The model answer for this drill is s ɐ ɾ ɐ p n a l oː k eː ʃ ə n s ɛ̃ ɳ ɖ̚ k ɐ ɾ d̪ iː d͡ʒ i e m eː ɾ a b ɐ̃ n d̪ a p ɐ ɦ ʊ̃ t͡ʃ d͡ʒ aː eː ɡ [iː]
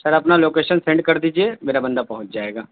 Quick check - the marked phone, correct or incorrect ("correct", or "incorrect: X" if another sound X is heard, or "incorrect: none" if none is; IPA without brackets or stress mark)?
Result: incorrect: aː